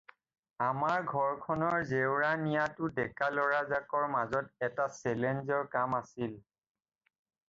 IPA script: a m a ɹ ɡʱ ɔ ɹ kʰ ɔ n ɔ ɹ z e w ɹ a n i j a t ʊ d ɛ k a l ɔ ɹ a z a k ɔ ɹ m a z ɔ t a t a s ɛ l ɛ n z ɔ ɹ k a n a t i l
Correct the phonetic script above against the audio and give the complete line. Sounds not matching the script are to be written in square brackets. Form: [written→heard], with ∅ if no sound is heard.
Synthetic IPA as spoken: a m a ɹ ɡʱ ɔ ɹ kʰ ɔ n ɔ ɹ z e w ɹ a n i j a t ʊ d ɛ k a l ɔ ɹ a z a k ɔ ɹ m a z ɔ t [a→ɛ] t a s ɛ l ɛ n z ɔ ɹ k a [n→m] a [t→s] i l